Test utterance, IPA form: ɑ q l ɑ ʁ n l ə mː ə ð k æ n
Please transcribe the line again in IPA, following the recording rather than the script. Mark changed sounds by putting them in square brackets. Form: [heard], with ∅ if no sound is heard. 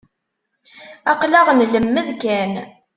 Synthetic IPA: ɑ q l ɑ ʁ n l ə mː ə ð k æ n